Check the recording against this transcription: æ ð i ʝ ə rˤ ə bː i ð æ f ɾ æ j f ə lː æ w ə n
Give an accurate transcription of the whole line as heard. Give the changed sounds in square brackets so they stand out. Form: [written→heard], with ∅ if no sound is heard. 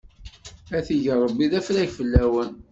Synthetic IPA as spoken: æ [ð→θ] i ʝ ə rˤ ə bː i ð æ f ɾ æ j f ə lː æ w ə n